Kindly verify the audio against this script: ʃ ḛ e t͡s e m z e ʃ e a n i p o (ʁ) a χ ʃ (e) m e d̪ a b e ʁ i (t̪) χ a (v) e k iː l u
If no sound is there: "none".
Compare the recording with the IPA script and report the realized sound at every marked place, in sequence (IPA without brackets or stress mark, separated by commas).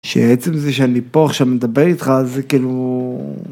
none, a, t̪, z